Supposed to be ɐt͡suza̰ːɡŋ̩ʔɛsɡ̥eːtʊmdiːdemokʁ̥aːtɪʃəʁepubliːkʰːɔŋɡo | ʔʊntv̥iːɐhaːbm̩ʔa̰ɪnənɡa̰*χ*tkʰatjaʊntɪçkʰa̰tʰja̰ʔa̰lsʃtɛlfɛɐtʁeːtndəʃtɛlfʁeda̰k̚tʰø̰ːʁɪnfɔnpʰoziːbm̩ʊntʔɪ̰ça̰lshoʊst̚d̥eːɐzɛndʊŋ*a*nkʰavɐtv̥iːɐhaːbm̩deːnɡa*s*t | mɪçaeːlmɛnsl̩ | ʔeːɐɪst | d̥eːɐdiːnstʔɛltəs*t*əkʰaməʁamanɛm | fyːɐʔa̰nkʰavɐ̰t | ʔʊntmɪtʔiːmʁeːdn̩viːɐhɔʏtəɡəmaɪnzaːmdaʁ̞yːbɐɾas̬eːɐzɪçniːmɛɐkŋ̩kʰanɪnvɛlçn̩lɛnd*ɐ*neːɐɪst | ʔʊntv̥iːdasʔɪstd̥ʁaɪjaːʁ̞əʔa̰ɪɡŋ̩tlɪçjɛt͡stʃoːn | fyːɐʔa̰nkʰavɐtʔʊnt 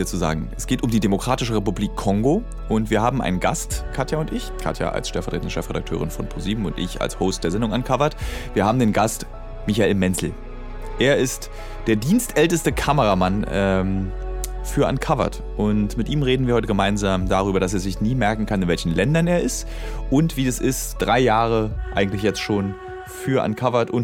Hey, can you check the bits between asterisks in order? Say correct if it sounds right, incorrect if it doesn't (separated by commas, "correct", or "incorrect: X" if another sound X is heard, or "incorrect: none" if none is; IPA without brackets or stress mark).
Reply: incorrect: s, correct, correct, correct, correct